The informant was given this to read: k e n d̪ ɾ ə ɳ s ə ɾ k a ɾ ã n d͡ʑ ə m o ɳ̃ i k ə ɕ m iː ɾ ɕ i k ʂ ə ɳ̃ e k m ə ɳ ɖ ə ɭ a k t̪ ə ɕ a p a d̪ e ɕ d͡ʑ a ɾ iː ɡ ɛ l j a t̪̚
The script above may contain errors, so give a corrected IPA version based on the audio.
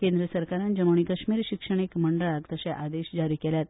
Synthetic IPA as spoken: k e n d̪ ɾ ə s ə ɾ k a ɾ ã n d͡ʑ ə m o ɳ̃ i k ə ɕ m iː ɾ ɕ i k ʂ ə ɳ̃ e k m ə ɳ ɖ ə ɭ a k t̪ ə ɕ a ʔ a d̪ e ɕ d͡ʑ a ɾ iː k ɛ l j a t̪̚